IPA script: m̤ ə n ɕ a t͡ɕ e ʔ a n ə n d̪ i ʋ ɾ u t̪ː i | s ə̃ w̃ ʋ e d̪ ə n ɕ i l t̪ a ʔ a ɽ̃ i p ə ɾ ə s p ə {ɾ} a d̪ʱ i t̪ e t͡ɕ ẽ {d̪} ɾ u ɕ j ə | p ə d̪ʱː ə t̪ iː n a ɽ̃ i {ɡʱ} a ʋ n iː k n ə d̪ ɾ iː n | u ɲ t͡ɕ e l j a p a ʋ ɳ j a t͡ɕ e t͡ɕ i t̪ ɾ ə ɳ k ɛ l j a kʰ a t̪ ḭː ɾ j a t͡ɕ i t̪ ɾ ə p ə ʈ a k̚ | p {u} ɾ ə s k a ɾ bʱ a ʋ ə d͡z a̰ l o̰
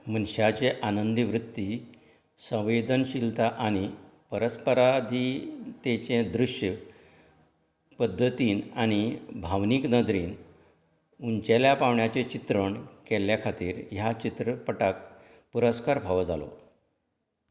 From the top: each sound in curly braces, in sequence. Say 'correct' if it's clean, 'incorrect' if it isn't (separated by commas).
correct, correct, incorrect, correct